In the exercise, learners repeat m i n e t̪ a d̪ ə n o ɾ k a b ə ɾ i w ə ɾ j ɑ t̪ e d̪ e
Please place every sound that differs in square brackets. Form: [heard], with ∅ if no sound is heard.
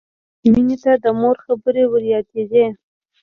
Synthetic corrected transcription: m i n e t̪ a d̪ ə [m] o ɾ [x] a b ə ɾ [e] w ə ɾ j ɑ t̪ e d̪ e